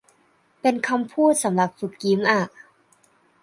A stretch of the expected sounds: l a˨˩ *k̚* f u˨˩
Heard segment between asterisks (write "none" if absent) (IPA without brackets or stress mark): p̚